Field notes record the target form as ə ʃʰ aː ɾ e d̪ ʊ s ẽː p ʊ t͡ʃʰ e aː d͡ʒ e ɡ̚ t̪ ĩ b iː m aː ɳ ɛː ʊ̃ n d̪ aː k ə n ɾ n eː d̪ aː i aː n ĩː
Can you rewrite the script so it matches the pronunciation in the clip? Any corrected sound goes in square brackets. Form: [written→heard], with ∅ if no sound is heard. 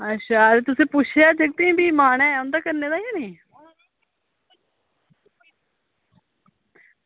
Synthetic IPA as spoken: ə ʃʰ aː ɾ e [d̪→t̪] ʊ s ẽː p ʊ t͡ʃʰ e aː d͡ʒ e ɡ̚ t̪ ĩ b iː m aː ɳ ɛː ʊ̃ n d̪ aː k ə [n→∅] ɾ n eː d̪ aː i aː n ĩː